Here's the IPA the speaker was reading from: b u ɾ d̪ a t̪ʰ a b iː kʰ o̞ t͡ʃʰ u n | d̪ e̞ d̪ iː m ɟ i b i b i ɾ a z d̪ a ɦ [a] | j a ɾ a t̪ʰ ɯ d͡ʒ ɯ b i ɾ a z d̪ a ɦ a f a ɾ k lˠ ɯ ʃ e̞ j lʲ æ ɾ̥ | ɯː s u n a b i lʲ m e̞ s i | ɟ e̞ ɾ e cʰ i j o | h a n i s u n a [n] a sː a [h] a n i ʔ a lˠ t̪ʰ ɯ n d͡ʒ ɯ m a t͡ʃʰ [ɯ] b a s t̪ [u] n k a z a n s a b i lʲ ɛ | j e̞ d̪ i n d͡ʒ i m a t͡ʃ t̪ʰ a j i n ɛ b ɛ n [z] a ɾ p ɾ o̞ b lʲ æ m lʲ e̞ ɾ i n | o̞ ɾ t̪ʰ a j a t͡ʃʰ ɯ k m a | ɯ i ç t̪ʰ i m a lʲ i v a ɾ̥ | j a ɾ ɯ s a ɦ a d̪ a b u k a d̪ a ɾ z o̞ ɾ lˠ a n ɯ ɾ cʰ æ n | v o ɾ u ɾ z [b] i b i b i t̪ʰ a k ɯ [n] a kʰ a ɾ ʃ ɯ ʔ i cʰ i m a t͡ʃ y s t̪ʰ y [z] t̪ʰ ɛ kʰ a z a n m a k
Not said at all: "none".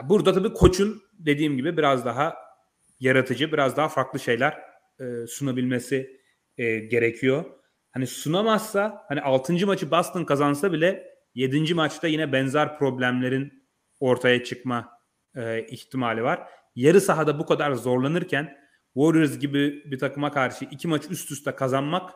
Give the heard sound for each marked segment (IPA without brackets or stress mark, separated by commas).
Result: a, m, h, ɯ, ɯ, z, ɟ, m, s